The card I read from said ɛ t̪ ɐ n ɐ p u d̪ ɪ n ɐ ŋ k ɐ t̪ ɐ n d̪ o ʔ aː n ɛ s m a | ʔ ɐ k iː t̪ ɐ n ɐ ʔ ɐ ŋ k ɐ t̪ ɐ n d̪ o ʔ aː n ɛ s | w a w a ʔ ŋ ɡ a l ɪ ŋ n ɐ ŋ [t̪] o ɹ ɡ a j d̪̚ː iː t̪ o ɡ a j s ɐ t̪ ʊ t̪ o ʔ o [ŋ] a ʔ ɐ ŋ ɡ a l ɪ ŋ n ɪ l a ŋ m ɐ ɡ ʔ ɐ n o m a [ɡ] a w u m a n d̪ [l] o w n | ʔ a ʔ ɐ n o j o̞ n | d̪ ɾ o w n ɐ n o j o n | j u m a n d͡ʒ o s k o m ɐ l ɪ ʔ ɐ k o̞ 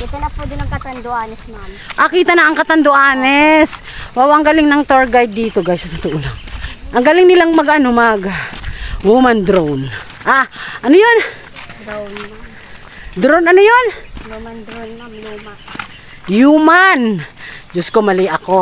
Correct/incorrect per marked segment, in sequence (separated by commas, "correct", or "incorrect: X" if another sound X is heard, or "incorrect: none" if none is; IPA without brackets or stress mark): correct, incorrect: n, correct, incorrect: ɾ